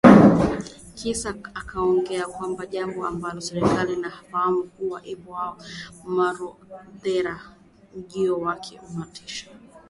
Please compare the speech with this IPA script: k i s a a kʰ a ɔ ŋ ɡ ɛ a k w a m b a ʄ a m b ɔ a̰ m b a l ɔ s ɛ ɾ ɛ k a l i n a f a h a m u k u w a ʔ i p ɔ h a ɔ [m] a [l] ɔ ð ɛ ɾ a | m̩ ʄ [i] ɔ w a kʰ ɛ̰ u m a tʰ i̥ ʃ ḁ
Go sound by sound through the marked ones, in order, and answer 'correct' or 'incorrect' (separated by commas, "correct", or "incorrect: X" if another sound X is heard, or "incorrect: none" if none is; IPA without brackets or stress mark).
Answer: correct, incorrect: ɾ, correct